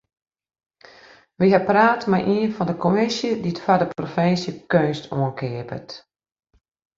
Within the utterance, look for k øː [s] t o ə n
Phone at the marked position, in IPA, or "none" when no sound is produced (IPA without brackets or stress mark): s